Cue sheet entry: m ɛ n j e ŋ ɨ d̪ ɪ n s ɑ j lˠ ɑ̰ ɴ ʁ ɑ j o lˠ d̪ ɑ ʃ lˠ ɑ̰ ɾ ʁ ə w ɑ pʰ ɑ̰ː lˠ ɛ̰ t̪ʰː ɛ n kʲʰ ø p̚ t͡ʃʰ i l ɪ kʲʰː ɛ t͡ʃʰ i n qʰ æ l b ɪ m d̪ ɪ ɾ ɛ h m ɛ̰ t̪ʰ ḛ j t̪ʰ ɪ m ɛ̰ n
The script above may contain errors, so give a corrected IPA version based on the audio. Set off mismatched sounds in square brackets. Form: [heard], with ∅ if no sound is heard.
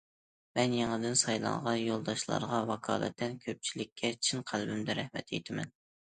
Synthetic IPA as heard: m ɛ n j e ŋ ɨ d̪ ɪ n s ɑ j lˠ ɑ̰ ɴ ʁ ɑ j o lˠ d̪ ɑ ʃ lˠ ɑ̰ ɾ ʁ [ɑ] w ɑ [kʰ] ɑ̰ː lˠ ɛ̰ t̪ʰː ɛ n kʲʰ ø p̚ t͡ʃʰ i l ɪ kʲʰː ɛ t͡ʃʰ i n qʰ æ l b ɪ m d̪ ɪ ɾ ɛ h m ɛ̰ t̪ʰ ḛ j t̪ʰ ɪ m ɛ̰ n